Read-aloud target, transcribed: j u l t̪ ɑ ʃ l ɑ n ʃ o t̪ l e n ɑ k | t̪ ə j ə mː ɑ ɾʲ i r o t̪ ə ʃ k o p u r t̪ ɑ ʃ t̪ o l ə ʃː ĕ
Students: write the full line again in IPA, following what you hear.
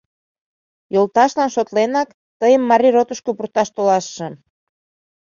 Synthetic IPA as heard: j o l t̪ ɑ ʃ l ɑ n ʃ o t̪ l e n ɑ k | t̪ ə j ə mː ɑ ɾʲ i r o t̪ ə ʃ k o p u r t̪ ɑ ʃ t̪ o l ɑ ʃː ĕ